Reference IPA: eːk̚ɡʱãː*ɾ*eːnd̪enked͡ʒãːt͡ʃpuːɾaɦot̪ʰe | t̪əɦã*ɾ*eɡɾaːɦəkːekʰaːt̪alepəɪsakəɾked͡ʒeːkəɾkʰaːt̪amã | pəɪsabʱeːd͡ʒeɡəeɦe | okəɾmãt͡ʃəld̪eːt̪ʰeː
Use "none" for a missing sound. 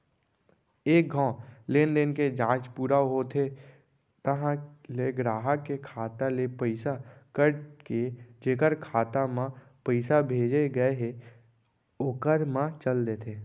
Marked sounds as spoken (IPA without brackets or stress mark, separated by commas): l, l